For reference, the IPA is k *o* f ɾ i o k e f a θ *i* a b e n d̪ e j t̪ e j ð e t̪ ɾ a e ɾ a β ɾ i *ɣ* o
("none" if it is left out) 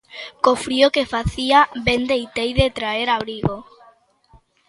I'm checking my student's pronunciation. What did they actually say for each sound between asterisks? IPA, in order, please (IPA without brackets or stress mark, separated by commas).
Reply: o, i, ɣ